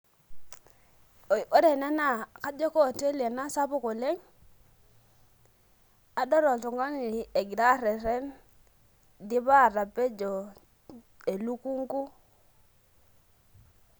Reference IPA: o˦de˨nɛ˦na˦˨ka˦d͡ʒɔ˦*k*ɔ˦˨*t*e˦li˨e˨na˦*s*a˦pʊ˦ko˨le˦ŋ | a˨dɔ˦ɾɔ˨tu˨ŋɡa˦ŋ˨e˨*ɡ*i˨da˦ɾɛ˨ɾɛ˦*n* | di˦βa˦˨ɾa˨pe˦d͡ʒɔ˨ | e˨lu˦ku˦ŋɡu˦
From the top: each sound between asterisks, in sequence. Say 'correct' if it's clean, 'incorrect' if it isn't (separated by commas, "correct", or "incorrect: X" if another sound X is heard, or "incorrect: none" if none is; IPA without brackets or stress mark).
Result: correct, correct, correct, correct, correct